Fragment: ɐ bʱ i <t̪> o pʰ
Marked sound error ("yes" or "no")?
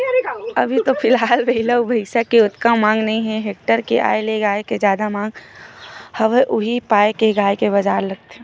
no